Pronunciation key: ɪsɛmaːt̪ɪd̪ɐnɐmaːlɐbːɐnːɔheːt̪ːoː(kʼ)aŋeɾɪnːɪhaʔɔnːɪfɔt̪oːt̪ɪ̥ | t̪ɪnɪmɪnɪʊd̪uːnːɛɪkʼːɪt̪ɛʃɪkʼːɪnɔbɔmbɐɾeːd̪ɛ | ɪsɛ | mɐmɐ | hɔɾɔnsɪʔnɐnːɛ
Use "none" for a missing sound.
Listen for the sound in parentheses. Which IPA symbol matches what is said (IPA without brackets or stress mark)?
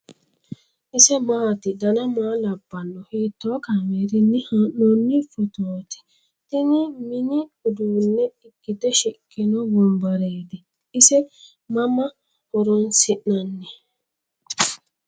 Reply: k